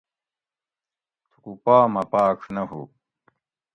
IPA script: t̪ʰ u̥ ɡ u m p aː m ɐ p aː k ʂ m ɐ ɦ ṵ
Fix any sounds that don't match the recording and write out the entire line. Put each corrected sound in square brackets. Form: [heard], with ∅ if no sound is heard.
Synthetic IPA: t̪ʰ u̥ [k] u [∅] p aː m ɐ p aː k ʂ [n] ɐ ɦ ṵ